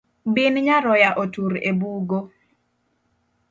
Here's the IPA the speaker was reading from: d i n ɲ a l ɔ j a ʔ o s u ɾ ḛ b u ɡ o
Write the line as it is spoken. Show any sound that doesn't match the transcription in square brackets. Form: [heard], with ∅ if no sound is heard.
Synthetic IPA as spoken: [b] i n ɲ a [ɾ] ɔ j a ʔ o [t] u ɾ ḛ b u ɡ o